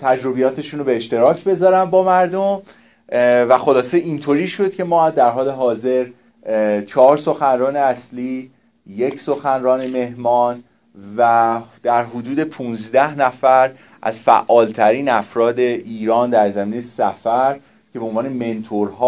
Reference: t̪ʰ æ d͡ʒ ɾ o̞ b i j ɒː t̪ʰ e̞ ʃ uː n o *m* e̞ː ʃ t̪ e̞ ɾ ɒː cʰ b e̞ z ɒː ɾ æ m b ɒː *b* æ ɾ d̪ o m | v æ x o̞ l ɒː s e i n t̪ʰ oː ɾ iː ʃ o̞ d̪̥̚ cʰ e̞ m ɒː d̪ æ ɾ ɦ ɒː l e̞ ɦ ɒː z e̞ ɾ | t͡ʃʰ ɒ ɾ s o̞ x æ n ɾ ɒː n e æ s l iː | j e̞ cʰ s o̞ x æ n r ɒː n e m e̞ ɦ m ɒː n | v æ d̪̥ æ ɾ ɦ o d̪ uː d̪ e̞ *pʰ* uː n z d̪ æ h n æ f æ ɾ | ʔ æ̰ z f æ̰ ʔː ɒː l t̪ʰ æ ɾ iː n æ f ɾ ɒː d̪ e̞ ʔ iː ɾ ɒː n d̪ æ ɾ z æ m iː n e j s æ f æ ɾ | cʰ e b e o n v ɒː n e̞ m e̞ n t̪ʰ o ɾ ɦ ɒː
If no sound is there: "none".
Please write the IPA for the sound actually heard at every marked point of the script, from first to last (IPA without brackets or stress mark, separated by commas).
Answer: b, m, pʰ